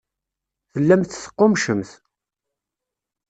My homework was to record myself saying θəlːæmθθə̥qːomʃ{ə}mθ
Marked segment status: correct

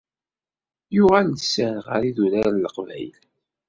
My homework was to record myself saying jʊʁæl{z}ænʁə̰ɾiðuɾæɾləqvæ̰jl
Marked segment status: incorrect: s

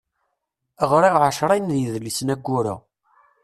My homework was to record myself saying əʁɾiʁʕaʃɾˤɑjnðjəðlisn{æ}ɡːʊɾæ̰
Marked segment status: correct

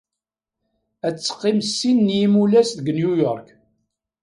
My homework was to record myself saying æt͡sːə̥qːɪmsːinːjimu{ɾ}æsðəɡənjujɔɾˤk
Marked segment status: incorrect: l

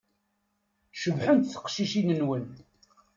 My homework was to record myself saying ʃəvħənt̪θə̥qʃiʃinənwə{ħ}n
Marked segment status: incorrect: none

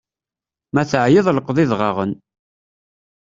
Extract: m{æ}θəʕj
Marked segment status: correct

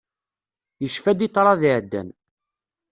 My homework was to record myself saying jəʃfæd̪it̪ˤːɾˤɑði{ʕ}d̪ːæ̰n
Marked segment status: correct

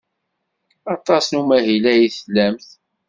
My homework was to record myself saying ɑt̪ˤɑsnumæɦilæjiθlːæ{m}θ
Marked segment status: correct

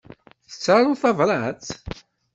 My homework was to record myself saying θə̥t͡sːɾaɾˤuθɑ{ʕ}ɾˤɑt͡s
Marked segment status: incorrect: v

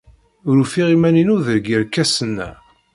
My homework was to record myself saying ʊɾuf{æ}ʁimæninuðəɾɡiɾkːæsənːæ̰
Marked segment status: incorrect: i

